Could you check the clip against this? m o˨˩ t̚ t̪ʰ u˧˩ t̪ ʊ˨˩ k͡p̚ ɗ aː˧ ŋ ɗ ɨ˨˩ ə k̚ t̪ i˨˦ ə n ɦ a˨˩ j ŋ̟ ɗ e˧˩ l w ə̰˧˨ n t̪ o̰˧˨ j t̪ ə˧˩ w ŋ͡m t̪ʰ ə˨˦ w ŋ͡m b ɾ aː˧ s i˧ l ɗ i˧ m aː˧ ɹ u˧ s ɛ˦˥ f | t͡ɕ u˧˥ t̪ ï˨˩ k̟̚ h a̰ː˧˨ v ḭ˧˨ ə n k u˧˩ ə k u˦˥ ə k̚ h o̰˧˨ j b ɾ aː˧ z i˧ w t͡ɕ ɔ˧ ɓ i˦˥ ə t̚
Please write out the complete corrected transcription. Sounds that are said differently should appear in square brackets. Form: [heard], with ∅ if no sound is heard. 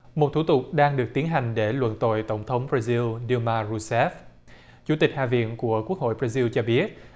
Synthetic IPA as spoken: m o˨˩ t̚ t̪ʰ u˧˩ t̪ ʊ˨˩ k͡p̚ ɗ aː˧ ŋ ɗ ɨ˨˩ ə k̚ t̪ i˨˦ ə n ɦ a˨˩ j ŋ̟ ɗ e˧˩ l w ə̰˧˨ n t̪ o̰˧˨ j t̪ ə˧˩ w ŋ͡m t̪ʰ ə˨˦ w ŋ͡m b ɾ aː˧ [z] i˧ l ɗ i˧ m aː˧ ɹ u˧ s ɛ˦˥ f | t͡ɕ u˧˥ t̪ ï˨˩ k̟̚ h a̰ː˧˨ v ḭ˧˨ ə n k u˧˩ ə k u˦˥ ə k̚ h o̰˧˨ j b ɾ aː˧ z i˧ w t͡ɕ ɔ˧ ɓ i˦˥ ə t̚